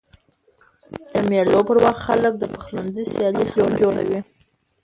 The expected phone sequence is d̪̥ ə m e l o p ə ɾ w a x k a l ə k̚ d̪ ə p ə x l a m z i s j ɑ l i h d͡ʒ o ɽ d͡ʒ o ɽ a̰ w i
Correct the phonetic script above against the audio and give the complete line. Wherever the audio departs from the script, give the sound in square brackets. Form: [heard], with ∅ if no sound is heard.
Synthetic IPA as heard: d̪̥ ə m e l o p ə ɾ w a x [x] a l ə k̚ d̪ ə p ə x l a [n] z i s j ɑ l i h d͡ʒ o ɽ d͡ʒ o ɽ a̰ w i